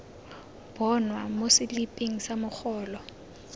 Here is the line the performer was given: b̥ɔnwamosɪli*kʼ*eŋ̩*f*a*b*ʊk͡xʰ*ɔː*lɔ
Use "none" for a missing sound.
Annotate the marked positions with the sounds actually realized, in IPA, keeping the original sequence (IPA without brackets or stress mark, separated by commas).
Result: pʼ, s, m, ɔː